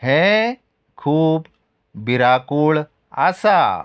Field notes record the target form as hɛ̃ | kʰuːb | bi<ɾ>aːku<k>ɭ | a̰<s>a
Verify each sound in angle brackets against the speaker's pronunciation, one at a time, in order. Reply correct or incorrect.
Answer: correct, incorrect: none, correct

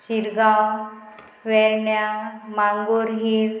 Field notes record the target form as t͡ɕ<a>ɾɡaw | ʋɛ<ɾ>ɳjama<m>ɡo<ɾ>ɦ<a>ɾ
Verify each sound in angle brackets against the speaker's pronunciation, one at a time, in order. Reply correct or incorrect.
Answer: incorrect: i, correct, incorrect: ŋ, correct, incorrect: i

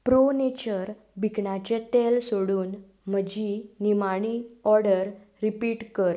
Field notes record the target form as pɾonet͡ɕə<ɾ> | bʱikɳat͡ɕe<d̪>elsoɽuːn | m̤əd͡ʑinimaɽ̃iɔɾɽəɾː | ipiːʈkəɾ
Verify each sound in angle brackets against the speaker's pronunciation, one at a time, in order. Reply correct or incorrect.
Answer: correct, incorrect: t̪

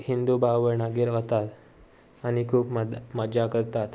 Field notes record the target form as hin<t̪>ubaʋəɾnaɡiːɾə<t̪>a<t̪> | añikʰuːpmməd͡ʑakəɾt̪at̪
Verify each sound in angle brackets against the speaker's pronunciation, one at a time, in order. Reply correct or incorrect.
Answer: incorrect: d̪, correct, correct

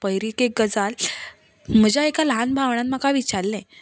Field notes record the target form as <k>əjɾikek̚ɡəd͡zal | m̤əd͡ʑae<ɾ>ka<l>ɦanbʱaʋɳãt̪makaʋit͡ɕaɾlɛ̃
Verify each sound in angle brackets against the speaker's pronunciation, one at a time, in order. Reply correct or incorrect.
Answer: incorrect: p, incorrect: none, correct

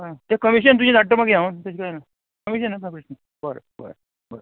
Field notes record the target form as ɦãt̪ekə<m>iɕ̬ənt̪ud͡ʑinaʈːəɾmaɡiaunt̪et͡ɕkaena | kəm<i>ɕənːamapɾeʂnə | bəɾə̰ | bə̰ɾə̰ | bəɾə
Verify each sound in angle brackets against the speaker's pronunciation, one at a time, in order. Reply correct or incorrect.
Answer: correct, correct

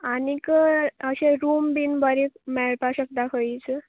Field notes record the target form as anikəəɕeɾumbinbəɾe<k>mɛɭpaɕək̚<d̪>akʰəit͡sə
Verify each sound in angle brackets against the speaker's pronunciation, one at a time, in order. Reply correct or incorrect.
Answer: correct, correct

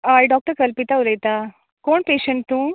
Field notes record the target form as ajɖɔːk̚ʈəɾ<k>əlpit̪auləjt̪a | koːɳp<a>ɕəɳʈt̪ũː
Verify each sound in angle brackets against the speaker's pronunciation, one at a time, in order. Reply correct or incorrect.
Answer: correct, incorrect: e

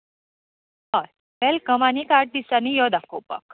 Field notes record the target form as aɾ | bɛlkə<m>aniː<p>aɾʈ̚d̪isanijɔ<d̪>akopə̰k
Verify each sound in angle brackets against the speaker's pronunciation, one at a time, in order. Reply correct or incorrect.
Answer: correct, incorrect: k, correct

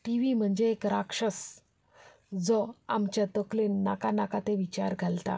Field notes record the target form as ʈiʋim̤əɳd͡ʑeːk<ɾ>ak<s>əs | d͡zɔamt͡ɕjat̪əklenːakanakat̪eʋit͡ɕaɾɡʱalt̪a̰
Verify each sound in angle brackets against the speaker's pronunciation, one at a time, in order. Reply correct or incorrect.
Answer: correct, incorrect: ʂ

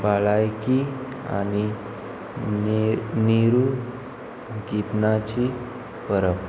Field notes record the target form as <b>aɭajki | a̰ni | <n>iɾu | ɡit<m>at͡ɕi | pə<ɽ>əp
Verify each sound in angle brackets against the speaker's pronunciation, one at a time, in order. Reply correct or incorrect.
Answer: correct, correct, incorrect: n, incorrect: ɾ

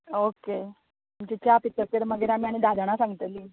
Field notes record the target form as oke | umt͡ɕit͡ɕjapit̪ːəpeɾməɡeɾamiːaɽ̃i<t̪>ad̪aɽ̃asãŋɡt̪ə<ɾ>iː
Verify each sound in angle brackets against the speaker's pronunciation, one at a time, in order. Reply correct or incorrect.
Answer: incorrect: d̪, incorrect: l

